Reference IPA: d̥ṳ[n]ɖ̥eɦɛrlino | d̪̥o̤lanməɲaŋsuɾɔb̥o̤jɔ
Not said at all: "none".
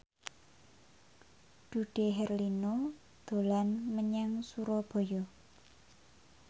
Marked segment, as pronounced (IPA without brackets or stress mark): none